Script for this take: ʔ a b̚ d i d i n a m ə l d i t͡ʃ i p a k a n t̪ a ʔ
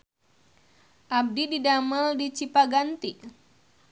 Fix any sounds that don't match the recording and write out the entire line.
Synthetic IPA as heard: ʔ a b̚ d i d i d a m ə l d i t͡ʃ i p a ɡ a n t̪ i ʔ